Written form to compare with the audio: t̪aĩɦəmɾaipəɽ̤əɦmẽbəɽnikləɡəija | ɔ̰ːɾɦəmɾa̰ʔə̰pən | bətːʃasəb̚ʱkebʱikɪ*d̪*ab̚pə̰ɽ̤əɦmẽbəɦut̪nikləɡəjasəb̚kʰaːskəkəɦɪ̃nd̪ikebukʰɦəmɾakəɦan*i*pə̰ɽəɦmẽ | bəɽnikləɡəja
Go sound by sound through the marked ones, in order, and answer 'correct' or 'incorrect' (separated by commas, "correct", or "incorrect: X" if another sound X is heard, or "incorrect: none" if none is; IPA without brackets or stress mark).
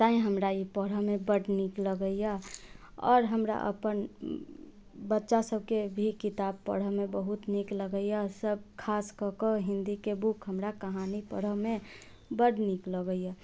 incorrect: t̪, correct